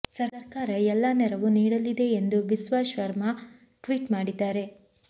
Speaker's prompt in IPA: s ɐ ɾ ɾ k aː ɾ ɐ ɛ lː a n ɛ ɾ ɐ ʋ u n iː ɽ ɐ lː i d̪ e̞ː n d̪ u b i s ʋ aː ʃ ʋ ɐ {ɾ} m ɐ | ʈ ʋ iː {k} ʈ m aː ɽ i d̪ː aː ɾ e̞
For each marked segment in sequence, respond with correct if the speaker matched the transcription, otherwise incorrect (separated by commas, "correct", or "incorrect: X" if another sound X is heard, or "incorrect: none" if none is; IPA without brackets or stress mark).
correct, incorrect: none